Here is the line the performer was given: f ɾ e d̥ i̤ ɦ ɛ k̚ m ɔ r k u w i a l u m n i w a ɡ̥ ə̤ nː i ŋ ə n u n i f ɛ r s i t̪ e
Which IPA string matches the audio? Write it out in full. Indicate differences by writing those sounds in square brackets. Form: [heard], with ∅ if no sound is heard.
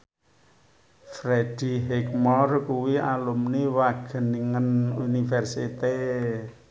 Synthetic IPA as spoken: f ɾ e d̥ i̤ ɦ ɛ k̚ m ɔ r k u w i a l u m n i w a ɡ̥ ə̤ [n] i ŋ ə n u n i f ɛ r s i t̪ e